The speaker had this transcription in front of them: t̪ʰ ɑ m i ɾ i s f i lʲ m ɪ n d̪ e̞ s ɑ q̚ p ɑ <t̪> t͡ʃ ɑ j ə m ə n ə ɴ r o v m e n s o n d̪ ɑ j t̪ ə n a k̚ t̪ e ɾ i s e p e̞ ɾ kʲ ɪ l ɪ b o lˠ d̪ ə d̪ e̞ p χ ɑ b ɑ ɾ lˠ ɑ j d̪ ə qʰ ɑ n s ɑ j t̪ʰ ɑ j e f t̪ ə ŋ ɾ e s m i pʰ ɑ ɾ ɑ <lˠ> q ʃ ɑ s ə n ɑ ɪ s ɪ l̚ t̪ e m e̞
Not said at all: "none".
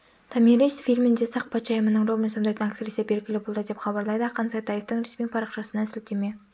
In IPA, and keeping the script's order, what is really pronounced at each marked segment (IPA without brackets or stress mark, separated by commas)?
t̪, none